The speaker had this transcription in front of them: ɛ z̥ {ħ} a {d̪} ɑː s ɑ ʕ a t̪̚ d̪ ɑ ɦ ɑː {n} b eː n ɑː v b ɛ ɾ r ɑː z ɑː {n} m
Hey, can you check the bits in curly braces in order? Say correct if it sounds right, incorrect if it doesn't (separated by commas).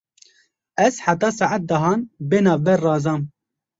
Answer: correct, incorrect, correct, incorrect